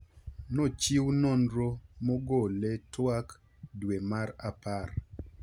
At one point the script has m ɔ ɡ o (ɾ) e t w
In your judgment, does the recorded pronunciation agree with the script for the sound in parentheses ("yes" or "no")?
no